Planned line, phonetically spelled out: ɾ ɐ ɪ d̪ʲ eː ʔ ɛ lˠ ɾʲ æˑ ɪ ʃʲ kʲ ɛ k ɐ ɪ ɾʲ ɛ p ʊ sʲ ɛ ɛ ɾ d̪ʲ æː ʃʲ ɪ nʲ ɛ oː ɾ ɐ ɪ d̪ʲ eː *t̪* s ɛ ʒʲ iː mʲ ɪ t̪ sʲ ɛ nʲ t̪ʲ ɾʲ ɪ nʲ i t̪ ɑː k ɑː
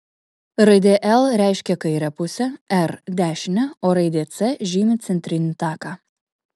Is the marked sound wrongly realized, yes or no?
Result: no